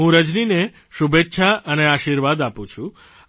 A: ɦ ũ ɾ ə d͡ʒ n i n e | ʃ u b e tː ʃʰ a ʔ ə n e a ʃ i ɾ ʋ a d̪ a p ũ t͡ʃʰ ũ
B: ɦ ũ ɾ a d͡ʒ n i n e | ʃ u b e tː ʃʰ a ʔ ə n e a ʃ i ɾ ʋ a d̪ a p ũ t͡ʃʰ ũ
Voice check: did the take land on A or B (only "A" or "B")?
A